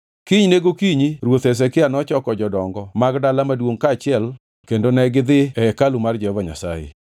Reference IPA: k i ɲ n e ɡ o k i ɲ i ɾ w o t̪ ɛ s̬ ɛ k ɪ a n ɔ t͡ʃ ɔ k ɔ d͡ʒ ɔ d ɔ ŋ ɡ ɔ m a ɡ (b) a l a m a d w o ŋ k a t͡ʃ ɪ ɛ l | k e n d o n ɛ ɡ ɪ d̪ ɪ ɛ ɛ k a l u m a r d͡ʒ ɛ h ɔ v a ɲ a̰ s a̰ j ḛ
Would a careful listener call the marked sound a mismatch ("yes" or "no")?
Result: yes